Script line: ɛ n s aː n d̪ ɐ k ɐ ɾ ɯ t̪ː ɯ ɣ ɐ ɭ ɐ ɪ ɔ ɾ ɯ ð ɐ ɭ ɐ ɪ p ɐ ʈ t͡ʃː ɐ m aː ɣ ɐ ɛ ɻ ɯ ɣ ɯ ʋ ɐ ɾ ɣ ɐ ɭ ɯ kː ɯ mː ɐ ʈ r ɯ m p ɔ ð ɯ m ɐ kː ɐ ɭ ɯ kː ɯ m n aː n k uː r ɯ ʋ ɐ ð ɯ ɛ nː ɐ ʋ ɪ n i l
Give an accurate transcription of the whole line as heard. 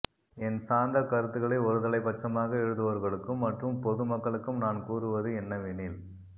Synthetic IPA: ɛ n s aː n d̪ ɐ k ɐ ɾ ɯ t̪ː ɯ ɣ ɐ ɭ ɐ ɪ ɔ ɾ ɯ ð ɐ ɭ ɐ ɪ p ɐ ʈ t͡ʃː ɐ m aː ɣ ɐ ɛ ɻ ɯ ð ɯ ʋ ɐ ɾ ɣ ɐ ɭ ɯ kː ɯ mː ɐ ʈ r ɯ m p ɔ ð ɯ m ɐ kː ɐ ɭ ɯ kː ɯ m n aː n k uː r ɯ ʋ ɐ ð ɯ ɛ nː ɐ ʋ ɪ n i l